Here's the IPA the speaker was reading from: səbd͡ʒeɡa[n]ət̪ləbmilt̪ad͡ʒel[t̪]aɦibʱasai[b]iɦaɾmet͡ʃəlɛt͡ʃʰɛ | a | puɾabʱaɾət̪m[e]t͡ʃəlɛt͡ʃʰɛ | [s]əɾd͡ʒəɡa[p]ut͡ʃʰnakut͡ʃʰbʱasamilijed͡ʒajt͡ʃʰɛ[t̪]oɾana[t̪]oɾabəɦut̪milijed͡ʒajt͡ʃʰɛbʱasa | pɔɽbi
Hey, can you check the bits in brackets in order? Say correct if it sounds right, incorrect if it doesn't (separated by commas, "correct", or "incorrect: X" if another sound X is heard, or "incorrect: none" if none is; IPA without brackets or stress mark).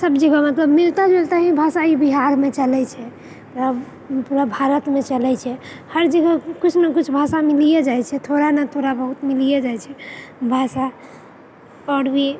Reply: incorrect: m, correct, correct, correct, incorrect: h, incorrect: k, incorrect: t̪ʰ, incorrect: t̪ʰ